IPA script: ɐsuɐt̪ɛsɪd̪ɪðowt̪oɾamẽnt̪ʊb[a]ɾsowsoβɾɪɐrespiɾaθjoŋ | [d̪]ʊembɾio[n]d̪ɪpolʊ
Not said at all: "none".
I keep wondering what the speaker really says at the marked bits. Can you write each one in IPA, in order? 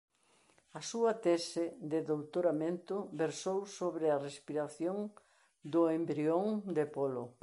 e, d̪, ŋ

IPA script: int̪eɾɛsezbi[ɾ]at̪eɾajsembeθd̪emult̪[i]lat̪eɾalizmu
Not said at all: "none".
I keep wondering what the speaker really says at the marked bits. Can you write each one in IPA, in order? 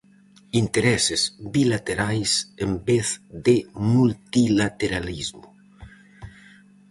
l, i

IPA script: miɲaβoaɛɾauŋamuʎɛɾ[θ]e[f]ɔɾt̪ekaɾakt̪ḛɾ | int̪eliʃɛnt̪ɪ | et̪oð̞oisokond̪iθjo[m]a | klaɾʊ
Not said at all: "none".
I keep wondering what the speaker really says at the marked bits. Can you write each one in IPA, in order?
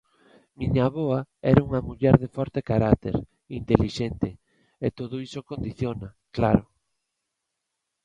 ð, f, n

